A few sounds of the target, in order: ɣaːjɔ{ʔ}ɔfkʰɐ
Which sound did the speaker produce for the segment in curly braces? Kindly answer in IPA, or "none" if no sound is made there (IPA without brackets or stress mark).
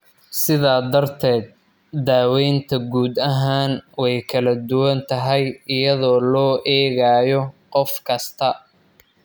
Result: q